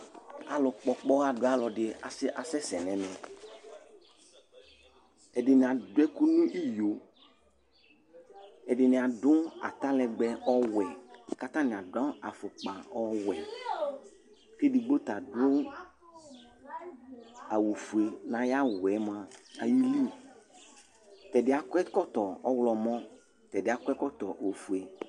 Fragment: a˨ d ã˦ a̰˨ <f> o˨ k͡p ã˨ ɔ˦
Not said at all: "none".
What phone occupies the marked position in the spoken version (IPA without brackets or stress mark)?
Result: f